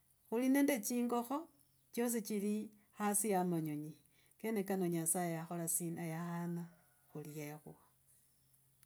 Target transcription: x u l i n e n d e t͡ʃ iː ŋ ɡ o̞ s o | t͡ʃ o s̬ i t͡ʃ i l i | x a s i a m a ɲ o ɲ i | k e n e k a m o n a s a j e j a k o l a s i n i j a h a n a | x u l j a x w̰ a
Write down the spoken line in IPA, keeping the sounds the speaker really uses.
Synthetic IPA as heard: x u l i n e n d e t͡ʃ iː ŋ ɡ o̞ x o | t͡ʃ o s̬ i t͡ʃ i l i | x a s i a m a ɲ o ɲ i | k e n e k a n o ɲ a s a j e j a x o l a s i n a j a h a n a | x u l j e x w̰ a